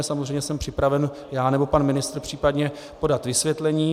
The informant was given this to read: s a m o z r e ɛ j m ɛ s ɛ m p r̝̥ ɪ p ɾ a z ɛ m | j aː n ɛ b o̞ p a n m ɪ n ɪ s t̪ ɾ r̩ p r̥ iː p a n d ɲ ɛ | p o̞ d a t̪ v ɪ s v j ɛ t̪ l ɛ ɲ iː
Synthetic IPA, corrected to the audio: s a m o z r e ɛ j ɲ ɛ s ɛ m p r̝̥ ɪ p ɾ a v ɛ n | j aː n ɛ b o̞ p a n m ɪ n ɪ s t̪ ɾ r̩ p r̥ iː p a d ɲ ɛ | p o̞ d a t̪ v ɪ s v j ɛ t̪ l ɛ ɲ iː